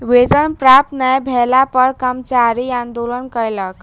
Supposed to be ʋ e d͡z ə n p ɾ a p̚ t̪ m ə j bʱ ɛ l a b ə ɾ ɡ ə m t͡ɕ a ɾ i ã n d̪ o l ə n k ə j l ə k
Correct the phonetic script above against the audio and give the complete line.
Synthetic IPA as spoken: ʋ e d͡z ə n p ɾ a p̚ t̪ n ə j bʱ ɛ l a p ə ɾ k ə m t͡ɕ a ɾ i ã n d̪ o l ə n k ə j l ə k